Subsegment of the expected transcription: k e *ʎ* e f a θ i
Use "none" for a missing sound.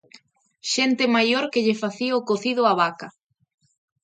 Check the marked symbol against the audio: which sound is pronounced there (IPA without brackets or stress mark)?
ʎ